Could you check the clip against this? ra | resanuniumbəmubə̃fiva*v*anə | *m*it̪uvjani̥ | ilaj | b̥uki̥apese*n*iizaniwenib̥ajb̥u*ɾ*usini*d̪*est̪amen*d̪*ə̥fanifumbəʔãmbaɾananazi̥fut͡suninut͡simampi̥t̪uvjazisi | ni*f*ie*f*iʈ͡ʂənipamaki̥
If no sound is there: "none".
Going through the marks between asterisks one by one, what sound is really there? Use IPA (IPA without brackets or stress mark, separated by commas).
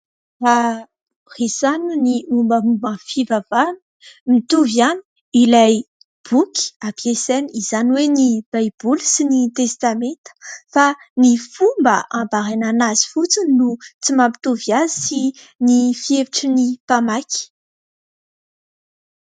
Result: v, m, n, l, t̪, t̪, f, v